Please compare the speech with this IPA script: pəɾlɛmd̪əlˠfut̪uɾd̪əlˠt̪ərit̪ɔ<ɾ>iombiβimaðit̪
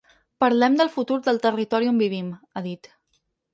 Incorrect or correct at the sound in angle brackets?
correct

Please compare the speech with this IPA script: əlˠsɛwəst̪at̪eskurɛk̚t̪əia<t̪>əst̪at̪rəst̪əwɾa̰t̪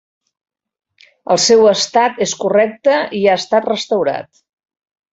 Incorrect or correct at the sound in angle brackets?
incorrect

